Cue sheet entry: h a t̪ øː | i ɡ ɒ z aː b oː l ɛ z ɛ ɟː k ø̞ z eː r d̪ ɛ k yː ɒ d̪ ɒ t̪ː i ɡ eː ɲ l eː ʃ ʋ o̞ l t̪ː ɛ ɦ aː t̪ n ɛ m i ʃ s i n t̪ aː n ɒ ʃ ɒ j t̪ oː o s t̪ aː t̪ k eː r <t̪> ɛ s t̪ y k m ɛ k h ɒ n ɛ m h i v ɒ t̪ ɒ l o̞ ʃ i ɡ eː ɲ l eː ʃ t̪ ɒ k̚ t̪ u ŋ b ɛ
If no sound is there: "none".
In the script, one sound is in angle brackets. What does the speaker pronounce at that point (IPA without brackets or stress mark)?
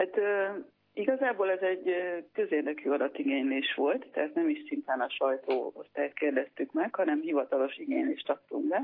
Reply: d̪